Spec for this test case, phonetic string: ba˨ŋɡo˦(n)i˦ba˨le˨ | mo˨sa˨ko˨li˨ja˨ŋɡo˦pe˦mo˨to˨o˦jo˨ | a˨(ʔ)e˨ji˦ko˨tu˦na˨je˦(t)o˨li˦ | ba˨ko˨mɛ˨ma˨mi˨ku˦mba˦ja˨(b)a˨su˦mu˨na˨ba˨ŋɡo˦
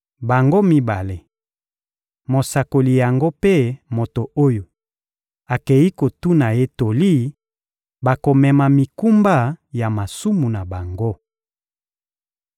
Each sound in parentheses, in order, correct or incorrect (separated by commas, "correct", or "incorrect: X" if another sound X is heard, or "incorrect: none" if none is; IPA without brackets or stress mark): incorrect: m, incorrect: k, correct, incorrect: m